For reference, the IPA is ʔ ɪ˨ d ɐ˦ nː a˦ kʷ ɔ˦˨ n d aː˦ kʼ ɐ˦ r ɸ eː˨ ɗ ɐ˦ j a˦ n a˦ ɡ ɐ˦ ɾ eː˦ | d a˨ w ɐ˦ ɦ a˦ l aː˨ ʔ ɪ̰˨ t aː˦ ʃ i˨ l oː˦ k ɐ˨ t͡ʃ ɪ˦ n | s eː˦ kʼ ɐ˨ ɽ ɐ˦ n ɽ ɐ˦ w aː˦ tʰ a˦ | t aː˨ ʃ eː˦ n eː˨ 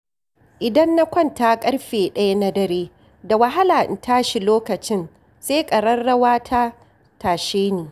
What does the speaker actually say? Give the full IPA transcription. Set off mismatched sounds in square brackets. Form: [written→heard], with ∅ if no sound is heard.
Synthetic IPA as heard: ʔ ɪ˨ d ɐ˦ nː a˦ kʷ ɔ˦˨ n [d→t] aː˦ kʼ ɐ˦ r ɸ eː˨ ɗ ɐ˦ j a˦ n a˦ [ɡ→d] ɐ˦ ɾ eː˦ | d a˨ w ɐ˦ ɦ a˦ l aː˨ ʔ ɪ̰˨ t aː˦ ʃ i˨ l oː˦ k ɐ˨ t͡ʃ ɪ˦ n | s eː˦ kʼ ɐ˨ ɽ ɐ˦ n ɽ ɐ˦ w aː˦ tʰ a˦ | t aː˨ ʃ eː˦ n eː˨